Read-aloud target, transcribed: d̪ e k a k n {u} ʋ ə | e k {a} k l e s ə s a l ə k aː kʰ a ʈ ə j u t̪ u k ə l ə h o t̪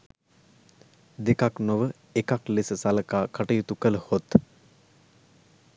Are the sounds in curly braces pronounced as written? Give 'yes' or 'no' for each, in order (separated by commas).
no, yes